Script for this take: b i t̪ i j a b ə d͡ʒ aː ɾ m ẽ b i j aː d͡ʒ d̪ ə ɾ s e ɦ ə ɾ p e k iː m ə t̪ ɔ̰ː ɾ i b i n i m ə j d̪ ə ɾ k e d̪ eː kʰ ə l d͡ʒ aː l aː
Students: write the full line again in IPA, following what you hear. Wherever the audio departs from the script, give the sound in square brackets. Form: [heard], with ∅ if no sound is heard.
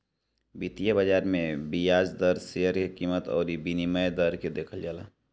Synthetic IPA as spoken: b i t̪ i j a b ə d͡ʒ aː ɾ m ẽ b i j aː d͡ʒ d̪ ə ɾ s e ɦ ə ɾ [k] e k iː m ə t̪ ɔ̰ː ɾ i b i n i m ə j d̪ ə ɾ k e d̪ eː kʰ ə l d͡ʒ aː l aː